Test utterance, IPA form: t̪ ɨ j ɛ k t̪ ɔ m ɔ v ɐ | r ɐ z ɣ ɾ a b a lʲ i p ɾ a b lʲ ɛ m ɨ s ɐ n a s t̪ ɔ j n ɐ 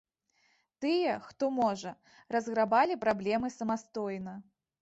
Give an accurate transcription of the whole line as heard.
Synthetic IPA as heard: t̪ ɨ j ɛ x t̪ ɔ m ɔ ʐ ɐ | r ɐ z ɣ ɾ a b a lʲ i p ɾ a b lʲ ɛ m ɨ s ɐ m a s t̪ ɔ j n ɐ